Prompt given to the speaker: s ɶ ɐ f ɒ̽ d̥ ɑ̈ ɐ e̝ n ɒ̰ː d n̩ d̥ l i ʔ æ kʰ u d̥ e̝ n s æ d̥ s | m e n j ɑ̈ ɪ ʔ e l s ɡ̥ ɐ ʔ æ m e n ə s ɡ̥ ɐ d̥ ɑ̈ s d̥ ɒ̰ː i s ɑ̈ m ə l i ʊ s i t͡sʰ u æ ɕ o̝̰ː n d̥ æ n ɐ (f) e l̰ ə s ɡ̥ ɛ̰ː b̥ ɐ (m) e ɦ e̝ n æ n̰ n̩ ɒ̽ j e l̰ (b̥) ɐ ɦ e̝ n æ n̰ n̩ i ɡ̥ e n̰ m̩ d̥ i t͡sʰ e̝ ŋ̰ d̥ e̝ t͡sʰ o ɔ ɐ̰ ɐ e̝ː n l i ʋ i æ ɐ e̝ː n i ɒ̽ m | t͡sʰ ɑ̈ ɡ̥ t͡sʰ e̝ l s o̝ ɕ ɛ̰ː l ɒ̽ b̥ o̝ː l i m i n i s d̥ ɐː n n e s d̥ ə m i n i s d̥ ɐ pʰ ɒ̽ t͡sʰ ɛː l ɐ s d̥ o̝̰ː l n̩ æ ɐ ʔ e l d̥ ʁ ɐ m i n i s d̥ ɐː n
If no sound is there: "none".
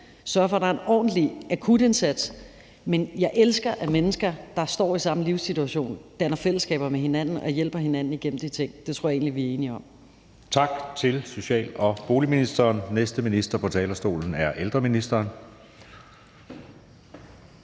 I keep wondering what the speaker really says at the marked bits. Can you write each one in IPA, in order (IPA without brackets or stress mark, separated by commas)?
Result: f, m, b̥